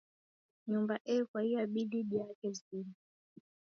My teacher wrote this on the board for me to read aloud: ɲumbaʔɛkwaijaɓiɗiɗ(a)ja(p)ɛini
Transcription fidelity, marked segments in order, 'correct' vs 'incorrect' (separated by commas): incorrect, incorrect